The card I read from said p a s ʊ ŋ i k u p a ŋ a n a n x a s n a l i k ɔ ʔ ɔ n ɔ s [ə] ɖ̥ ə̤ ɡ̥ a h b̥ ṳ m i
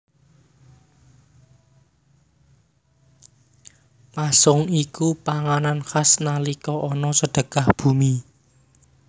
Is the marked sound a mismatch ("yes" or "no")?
no